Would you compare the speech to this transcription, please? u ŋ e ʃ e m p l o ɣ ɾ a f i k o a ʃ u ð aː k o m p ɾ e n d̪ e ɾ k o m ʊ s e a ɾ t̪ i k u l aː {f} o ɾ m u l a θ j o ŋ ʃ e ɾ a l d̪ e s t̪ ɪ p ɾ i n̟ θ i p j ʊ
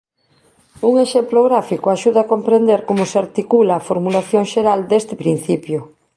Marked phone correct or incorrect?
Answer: correct